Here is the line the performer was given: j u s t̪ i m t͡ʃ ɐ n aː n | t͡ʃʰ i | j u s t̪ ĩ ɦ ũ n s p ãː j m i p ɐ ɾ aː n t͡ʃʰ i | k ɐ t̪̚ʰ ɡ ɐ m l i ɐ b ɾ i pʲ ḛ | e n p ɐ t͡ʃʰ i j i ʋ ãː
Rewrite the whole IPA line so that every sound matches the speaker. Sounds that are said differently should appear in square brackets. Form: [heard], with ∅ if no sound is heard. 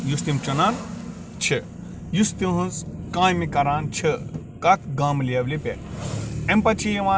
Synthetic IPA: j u s t̪ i m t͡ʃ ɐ n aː n | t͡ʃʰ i | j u s t̪ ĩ ɦ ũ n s [k] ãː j m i [k] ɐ ɾ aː n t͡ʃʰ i | k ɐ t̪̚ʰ ɡ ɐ m l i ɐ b [l] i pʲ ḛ | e [m] p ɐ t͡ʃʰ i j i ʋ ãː